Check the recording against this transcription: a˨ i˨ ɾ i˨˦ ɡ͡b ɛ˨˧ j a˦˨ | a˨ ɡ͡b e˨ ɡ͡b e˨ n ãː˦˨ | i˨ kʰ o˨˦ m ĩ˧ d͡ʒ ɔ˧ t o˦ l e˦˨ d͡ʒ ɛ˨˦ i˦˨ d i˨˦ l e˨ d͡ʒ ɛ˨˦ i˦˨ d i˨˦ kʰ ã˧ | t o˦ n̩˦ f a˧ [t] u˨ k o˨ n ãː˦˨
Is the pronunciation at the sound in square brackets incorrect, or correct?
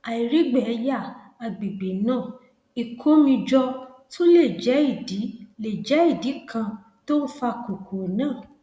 incorrect